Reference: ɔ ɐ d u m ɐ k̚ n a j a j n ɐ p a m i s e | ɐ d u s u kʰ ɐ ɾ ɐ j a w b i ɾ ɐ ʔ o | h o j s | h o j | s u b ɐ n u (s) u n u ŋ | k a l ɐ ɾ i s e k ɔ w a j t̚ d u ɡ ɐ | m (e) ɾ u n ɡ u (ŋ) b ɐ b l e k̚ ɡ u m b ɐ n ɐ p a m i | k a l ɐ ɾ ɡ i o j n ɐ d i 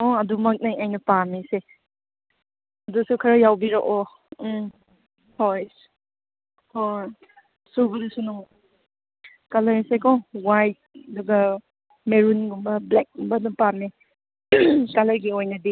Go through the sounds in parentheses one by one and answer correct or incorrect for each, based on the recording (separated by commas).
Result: correct, correct, incorrect